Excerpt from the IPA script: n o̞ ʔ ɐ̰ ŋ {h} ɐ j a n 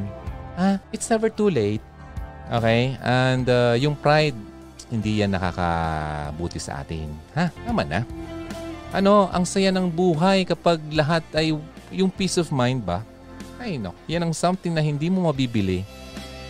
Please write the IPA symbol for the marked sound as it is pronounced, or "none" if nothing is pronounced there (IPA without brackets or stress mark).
s